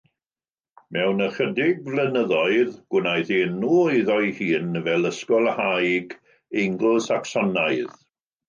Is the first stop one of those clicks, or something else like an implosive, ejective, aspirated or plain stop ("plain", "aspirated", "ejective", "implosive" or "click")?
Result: plain